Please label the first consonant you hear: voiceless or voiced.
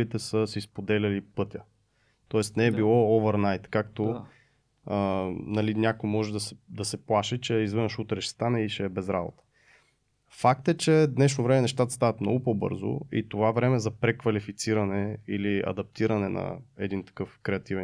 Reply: voiceless